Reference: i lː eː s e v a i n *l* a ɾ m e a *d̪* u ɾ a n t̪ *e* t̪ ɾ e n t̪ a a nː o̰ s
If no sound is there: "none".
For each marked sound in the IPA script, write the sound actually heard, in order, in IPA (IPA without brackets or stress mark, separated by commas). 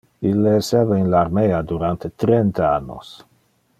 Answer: l, d̪, e